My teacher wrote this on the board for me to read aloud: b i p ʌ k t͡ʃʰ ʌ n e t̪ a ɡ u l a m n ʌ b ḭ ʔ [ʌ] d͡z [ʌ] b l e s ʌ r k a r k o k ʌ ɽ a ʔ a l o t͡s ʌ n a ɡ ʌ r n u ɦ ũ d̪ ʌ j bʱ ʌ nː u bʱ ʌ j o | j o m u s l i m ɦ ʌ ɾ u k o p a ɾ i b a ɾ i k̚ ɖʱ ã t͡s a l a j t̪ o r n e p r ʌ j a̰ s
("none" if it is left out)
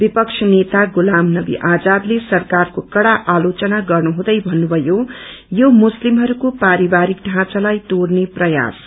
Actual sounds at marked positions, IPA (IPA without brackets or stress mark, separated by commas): a, a